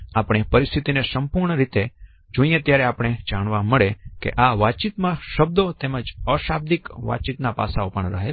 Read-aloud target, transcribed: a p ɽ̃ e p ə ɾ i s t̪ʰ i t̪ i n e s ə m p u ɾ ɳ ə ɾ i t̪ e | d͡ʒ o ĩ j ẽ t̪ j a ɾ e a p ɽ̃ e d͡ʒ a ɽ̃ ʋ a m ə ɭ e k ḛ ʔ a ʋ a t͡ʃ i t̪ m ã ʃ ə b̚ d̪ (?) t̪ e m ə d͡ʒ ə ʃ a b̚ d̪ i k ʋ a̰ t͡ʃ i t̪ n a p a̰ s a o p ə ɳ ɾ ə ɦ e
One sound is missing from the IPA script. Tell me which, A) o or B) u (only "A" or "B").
A